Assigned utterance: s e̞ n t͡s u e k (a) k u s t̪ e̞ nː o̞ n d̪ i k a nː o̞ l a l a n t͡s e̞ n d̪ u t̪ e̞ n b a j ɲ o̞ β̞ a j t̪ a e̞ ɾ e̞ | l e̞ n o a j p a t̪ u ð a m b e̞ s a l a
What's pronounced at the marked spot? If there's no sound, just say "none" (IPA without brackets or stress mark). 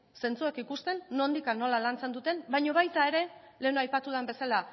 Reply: i